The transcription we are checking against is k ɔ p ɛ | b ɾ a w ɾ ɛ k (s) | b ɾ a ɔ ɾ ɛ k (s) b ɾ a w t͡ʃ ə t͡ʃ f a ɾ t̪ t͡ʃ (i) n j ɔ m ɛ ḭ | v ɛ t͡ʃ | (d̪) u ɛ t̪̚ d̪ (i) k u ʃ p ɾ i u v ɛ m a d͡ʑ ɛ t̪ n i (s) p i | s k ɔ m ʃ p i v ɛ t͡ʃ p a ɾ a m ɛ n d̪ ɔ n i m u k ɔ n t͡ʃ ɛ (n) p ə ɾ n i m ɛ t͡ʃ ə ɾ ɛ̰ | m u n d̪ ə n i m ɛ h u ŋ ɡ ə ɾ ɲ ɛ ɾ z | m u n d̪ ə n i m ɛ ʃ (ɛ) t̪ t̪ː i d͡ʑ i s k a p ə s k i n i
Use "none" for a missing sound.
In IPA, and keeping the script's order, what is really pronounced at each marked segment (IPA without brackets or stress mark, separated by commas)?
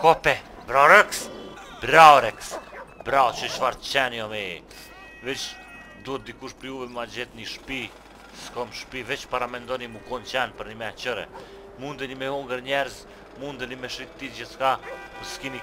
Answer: s, s, ɛ, d̪, i, ʃ, n, i